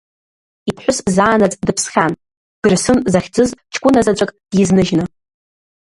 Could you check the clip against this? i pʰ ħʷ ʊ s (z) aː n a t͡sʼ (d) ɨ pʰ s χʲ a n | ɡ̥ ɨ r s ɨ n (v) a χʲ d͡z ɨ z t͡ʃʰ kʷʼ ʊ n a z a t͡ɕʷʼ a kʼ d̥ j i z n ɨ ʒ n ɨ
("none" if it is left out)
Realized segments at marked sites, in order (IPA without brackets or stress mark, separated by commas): z, d, z